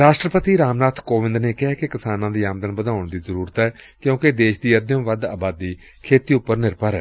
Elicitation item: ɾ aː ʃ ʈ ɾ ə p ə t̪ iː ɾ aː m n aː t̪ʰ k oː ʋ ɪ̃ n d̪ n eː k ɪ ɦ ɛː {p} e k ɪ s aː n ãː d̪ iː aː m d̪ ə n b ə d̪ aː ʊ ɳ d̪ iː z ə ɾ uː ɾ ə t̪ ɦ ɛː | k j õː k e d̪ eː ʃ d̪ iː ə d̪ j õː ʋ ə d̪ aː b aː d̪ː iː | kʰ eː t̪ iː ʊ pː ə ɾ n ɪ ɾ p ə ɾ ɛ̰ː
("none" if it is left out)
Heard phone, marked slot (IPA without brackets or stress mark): k